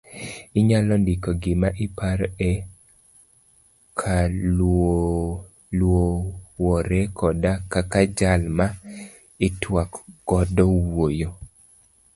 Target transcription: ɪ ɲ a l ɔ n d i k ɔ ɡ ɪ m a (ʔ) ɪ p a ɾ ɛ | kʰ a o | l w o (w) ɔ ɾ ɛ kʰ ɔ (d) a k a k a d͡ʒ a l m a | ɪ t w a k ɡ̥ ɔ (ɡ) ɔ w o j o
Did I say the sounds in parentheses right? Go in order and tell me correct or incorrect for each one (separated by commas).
correct, correct, correct, incorrect